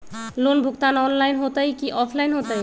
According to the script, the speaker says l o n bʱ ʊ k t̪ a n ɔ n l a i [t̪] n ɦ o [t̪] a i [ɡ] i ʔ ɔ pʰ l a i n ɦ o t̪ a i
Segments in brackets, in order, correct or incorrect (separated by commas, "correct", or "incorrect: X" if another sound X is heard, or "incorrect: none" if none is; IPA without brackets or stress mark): incorrect: none, correct, incorrect: k